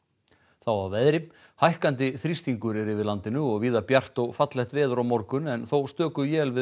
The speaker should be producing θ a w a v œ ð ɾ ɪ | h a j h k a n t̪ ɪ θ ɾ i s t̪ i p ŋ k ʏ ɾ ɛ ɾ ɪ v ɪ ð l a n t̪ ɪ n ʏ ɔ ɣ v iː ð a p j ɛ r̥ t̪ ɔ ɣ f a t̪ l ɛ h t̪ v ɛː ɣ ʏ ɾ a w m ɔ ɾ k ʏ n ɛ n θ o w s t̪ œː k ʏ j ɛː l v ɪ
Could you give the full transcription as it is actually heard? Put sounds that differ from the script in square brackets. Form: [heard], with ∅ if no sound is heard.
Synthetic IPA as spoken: θ a w a v [ɛ] ð ɾ ɪ | h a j h k a n t̪ ɪ θ ɾ i s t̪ i [∅] ŋ k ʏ ɾ ɛ ɾ ɪ v ɪ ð l a n t̪ ɪ n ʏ ɔ ɣ v iː ð a p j [a] r̥ t̪ ɔ ɣ f a t̪ l ɛ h t̪ v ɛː [ð] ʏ ɾ a w m ɔ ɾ k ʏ n ɛ n θ o w s t̪ œː k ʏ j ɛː l v ɪ